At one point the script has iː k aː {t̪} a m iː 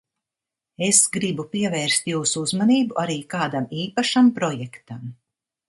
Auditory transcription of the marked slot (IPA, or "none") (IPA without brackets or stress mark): d̪